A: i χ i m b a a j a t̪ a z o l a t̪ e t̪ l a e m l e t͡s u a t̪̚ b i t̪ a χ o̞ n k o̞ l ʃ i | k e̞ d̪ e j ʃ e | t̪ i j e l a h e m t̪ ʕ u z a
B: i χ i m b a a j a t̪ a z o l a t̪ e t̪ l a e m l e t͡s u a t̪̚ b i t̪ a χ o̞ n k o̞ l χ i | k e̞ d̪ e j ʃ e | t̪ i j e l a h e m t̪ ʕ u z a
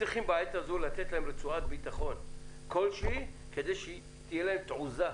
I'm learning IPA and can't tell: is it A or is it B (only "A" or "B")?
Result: A